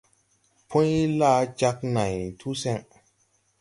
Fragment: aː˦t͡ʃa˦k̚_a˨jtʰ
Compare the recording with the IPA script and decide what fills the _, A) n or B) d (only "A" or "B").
A